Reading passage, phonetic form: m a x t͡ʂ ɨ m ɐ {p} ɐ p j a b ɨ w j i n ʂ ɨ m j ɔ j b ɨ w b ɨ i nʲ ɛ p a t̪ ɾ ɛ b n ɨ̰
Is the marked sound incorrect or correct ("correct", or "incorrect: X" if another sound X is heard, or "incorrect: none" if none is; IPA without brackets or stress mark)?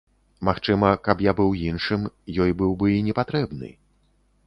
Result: incorrect: k